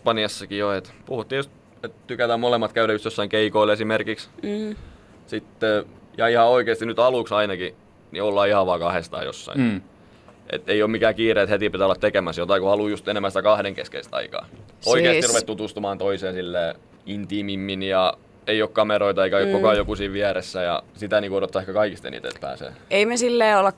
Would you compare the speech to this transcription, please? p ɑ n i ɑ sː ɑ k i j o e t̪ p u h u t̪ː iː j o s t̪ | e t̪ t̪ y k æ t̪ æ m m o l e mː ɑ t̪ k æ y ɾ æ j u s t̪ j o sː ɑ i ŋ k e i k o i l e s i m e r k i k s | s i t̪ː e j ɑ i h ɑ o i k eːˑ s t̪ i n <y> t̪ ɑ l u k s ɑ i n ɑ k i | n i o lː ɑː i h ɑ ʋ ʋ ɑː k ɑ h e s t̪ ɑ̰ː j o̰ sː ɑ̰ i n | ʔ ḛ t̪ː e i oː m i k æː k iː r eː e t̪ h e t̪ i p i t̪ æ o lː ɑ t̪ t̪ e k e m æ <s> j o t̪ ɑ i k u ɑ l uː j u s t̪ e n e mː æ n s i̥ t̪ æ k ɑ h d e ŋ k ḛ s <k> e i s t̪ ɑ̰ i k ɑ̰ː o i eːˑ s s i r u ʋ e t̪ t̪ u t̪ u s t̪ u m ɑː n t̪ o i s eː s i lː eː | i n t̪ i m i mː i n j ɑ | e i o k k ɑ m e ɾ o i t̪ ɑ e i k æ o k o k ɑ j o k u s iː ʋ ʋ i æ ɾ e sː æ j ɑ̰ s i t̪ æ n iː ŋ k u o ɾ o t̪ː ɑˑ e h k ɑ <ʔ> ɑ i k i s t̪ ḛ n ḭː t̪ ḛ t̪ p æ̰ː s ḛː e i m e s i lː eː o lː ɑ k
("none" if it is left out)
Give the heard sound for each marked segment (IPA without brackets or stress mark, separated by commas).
y, s, k, k